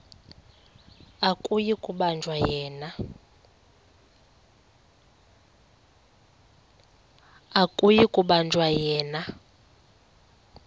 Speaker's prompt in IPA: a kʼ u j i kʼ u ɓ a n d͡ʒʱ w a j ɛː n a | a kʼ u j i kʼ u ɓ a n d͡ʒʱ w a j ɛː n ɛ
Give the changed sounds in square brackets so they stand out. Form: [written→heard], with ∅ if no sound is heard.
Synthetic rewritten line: a kʼ u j i kʼ u ɓ a n d͡ʒʱ w a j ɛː n a | a kʼ u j i kʼ u ɓ a n d͡ʒʱ w a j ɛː n [ɛ→a]

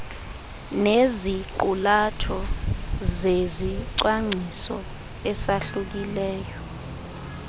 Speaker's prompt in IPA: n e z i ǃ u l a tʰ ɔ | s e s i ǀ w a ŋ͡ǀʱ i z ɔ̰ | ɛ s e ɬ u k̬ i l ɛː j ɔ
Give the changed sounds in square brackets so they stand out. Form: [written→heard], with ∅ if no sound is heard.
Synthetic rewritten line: n e z i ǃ u l a tʰ ɔ | [s→z] e [s→z] i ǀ w a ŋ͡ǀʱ i [z→s] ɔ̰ | ɛ s [e→a] ɬ u k̬ i l ɛː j ɔ

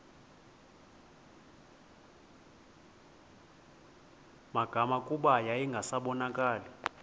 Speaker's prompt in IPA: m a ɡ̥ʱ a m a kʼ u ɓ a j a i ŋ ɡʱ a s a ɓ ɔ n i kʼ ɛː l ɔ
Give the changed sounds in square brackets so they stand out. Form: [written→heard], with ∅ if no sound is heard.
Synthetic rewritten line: m a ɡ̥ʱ a m a kʼ u ɓ a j a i ŋ ɡʱ a s a ɓ ɔ n [i→a] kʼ [ɛː→aː] l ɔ

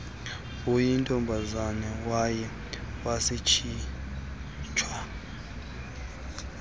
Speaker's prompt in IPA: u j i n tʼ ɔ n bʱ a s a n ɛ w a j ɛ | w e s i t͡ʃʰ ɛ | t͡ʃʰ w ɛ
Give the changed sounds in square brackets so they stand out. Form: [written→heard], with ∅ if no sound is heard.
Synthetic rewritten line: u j i n tʼ ɔ [n→m] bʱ a [s→z] a n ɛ w a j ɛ | w [e→a] s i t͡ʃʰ [ɛ→i] | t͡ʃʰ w [ɛ→a]

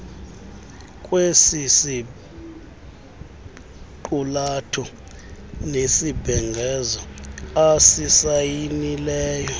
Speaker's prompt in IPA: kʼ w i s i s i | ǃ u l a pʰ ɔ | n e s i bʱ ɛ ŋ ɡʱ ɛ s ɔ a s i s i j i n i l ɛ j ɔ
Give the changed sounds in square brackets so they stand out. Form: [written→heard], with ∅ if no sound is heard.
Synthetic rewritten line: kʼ w [i→e] s i s i | ǃ u l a [pʰ→tʰ] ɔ | n e s i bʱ ɛ ŋ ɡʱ ɛ [s→z] ɔ a s i s [i→a] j i n i l [ɛ→ɛː] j ɔ

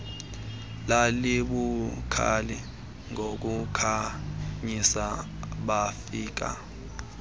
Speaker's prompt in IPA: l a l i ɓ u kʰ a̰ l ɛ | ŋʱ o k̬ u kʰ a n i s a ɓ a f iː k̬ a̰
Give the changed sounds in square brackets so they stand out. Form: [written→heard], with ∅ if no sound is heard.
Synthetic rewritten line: l a l i ɓ u kʰ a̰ l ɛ | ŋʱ o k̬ u kʰ a [n→ɲ] i s a ɓ a f iː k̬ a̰

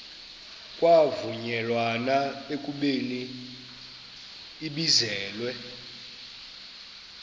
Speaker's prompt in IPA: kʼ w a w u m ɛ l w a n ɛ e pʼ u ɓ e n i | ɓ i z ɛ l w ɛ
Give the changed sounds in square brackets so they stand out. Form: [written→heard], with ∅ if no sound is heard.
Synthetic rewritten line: kʼ w a [w→v] u [m→ɲ] ɛ l w a n [ɛ→a] e [pʼ→kʼ] u ɓ e n i | ɓ i z [ɛ→ɛː] l w ɛ

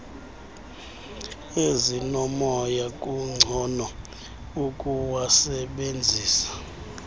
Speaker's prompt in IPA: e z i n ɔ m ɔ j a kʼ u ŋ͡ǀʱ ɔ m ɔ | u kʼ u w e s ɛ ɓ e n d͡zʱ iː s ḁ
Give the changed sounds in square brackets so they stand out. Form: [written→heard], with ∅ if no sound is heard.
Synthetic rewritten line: e z i n ɔ m ɔ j a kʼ u ŋ͡ǀʱ ɔ [m→n] ɔ | u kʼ u w [e→a] s ɛ ɓ e n d͡zʱ iː s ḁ

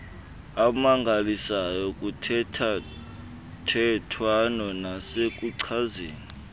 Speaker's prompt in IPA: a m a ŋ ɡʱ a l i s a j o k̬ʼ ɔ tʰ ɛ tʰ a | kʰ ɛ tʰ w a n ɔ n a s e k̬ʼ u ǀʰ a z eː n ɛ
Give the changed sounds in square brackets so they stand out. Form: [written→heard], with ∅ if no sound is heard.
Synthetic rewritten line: a m a ŋ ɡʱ a l i s a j [o→ɔ] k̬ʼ [ɔ→u] tʰ ɛ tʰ a | [kʰ→tʰ] ɛ tʰ w a n ɔ n a s e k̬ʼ u ǀʰ a z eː n [ɛ→i]

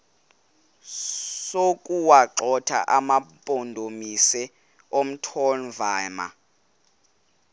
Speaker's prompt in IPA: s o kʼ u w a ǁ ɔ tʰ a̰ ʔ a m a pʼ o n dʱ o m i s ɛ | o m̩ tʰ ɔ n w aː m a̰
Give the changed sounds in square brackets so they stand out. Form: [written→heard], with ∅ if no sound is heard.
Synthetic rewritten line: s o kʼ u w a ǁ ɔ tʰ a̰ ʔ a m a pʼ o n dʱ o m i s ɛ | o m̩ tʰ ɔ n [w→v] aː m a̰

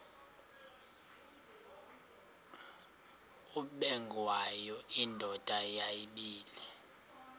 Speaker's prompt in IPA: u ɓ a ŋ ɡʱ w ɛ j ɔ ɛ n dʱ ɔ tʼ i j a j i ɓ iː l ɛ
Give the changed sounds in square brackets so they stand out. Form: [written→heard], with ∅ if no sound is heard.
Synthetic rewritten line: u ɓ [a→ɛ] ŋ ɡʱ w [ɛ→a] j ɔ [ɛ→i] n dʱ ɔ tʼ [i→a] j a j i ɓ iː l ɛ

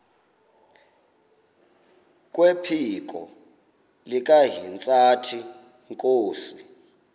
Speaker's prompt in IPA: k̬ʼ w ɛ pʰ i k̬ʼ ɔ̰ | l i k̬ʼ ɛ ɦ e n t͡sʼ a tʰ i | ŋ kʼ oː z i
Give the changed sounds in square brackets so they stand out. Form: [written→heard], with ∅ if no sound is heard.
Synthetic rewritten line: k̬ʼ w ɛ pʰ i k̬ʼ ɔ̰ | l i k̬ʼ [ɛ→a] ɦ [e→i] n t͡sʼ a tʰ i | ŋ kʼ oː [z→s] i

